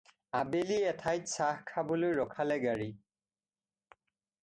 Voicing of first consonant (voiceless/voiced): voiced